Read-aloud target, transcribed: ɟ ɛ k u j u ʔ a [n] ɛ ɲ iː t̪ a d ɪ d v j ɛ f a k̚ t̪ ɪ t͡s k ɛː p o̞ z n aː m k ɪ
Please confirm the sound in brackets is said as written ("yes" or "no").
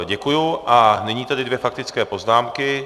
yes